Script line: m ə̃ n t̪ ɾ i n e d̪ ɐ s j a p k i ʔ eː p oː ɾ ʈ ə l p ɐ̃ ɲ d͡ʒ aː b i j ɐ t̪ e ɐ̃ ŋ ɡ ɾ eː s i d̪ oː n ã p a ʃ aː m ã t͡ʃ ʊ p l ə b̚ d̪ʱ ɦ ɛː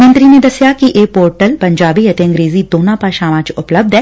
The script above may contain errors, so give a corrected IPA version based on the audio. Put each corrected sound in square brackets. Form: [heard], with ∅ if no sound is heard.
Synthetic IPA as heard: m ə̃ n t̪ ɾ i n e d̪ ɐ s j a [∅] k i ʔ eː p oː ɾ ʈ ə l p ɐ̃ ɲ d͡ʒ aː b i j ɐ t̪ e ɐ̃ ŋ ɡ ɾ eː [z] i d̪ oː n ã p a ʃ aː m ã t͡ʃ ʊ p l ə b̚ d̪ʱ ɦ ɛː